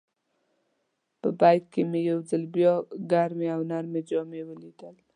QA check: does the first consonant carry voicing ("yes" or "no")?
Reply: no